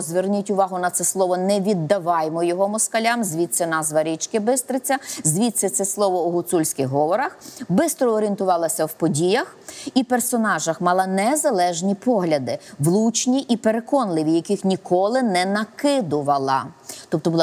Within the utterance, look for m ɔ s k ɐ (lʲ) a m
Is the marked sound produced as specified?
yes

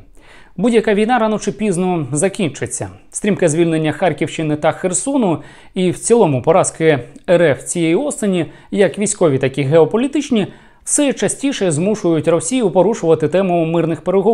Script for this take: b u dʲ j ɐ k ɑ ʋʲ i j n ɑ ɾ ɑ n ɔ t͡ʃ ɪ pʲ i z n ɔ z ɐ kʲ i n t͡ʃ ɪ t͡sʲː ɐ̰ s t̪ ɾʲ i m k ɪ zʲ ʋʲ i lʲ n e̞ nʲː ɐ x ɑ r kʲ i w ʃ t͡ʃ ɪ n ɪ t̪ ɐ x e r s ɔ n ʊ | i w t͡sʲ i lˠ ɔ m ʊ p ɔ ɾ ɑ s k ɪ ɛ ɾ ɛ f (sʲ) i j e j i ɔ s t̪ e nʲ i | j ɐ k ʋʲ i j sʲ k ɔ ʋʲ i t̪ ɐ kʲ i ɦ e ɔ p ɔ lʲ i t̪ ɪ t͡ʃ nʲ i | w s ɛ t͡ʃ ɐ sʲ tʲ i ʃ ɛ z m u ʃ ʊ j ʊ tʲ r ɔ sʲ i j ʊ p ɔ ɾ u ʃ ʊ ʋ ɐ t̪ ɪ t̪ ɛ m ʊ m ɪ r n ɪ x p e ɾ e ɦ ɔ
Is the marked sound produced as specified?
no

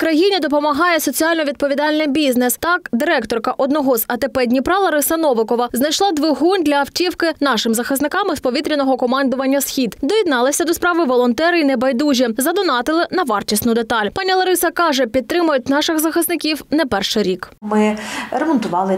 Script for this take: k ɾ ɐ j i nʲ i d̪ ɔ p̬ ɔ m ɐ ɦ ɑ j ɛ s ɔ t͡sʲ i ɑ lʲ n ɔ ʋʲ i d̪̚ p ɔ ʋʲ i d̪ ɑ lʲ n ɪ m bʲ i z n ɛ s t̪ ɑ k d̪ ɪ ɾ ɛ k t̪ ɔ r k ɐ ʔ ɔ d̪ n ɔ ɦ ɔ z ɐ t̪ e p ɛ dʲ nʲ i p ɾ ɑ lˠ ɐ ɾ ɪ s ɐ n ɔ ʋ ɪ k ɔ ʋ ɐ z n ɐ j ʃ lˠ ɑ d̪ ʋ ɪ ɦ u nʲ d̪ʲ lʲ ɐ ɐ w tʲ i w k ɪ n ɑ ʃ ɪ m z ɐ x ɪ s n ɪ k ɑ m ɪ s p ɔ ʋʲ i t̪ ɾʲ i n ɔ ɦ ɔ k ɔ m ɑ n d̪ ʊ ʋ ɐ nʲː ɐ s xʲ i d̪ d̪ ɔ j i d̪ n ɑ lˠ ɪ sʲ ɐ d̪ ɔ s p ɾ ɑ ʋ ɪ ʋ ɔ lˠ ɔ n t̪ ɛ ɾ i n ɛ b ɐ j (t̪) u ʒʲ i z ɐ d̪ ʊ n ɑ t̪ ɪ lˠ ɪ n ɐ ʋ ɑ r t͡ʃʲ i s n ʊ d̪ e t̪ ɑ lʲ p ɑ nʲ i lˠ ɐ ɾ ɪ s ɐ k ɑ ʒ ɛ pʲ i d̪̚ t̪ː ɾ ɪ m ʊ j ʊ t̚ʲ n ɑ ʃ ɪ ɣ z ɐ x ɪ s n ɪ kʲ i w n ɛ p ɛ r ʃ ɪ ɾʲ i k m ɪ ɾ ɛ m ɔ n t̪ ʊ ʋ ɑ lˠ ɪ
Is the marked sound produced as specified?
no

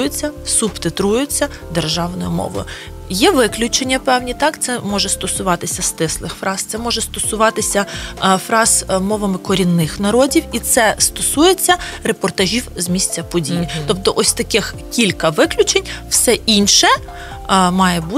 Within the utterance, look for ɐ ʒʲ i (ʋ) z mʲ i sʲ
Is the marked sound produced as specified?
no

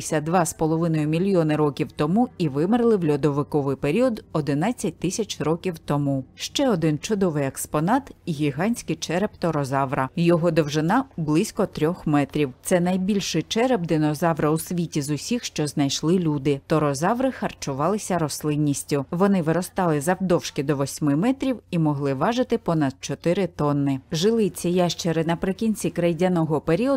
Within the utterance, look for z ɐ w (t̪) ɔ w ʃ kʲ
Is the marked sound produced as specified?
no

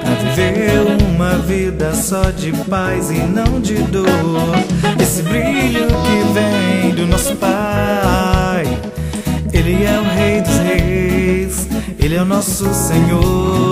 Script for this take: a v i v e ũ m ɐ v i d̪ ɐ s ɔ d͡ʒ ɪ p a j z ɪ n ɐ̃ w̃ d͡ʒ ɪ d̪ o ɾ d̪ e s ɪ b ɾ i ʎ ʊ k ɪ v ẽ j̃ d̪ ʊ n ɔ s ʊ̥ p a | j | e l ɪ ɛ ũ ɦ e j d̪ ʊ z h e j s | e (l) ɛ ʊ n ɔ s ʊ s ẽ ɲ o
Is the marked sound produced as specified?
yes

